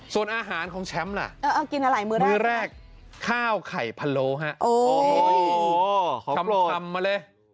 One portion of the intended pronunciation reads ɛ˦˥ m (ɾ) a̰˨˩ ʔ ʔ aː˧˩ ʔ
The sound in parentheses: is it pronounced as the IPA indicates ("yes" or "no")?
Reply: no